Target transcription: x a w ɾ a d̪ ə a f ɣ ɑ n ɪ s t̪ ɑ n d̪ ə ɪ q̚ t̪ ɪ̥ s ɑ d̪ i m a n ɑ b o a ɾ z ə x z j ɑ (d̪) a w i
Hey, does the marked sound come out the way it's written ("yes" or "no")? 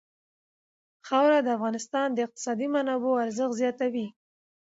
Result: no